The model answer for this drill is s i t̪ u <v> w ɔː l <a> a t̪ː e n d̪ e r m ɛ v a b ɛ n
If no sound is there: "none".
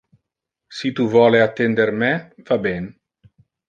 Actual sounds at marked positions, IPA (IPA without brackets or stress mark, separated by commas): v, e